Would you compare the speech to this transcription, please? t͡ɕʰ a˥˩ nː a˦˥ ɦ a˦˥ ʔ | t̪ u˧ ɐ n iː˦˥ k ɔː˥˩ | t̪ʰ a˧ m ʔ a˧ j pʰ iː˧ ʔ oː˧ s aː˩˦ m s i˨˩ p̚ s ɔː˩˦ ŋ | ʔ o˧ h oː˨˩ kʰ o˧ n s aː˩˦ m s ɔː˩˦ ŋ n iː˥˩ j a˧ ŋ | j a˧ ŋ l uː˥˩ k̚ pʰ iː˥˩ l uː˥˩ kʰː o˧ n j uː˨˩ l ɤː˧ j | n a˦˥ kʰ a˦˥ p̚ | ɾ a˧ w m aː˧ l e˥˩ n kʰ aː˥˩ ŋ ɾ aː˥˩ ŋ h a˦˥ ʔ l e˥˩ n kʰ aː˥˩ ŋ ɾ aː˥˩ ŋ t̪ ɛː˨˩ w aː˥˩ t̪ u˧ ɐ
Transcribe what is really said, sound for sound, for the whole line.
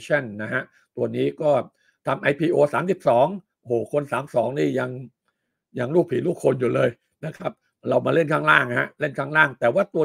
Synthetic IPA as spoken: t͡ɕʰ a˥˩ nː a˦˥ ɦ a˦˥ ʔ | t̪ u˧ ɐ n iː˦˥ k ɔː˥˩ | t̪ʰ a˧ m ʔ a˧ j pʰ iː˧ ʔ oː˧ s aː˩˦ m s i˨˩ p̚ s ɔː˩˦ ŋ | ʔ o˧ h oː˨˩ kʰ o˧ n s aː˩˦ m s ɔː˩˦ ŋ n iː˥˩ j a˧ ŋ | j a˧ ŋ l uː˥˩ k̚ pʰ iː˩˦ l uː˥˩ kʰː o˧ n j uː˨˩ l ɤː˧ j | n a˦˥ kʰ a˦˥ p̚ | ɾ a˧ w m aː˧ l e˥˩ n kʰ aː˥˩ ŋ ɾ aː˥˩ ŋ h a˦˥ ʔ l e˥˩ n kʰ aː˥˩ ŋ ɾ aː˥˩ ŋ t̪ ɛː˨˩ w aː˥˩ t̪ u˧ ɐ

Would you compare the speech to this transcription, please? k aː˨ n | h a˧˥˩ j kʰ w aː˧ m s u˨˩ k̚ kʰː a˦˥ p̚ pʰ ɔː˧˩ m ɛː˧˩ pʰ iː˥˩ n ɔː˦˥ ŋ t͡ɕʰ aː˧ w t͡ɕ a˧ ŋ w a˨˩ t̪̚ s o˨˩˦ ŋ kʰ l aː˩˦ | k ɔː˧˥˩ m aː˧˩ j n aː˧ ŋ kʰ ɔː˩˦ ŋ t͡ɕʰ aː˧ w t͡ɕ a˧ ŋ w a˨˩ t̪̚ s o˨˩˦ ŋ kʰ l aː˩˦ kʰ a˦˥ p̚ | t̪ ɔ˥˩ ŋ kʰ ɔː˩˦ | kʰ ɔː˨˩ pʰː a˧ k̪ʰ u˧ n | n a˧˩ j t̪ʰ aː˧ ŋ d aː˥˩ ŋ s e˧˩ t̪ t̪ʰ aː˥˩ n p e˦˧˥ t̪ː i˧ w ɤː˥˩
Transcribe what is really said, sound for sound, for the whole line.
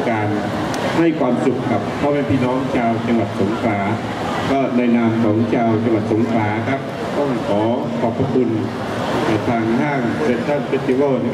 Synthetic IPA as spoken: k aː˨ n | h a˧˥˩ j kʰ w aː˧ m s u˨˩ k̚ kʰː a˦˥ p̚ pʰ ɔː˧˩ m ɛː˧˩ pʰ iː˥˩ n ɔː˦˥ ŋ t͡ɕʰ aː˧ w t͡ɕ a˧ ŋ w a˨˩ t̪̚ s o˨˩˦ ŋ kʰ l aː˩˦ | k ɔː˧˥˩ n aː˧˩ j n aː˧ m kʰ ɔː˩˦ ŋ t͡ɕʰ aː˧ w t͡ɕ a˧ ŋ w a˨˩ t̪̚ s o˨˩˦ ŋ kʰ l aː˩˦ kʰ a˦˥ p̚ | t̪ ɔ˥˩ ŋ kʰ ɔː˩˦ | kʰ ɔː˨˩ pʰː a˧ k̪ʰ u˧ n | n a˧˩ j t̪ʰ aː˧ ŋ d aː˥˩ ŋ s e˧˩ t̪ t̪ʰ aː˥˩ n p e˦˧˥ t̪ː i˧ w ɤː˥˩

